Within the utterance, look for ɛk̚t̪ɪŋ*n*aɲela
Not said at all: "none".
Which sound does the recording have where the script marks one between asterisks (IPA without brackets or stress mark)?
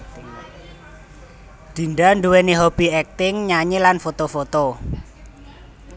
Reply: ɲ